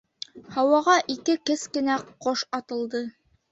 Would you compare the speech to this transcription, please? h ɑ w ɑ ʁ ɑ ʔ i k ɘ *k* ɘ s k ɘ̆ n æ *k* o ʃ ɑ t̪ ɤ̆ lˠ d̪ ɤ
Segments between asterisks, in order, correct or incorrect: correct, incorrect: q

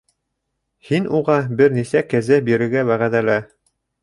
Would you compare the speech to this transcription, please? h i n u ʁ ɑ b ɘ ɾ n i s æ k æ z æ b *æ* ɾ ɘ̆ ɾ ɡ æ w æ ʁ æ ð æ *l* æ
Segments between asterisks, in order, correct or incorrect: incorrect: i, correct

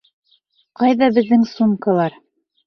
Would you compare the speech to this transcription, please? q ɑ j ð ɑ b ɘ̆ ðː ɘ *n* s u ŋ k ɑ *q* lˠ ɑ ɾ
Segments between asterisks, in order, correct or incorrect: incorrect: ŋ, incorrect: none

